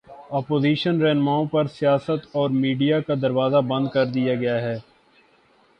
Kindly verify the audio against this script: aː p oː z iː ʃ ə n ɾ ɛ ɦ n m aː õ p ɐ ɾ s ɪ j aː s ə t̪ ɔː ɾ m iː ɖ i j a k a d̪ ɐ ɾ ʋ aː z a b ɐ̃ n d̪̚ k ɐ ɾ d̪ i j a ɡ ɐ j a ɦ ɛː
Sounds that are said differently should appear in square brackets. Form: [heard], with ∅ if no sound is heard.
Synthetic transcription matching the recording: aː p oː z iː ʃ ə n ɾ ɛ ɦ n m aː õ p ɐ ɾ s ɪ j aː s ə t̪ ɔː ɾ m iː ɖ i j a k a d̪ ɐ ɾ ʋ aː z a b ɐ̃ n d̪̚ k ɐ ɾ d̪ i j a ɡ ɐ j a ɦ ɛː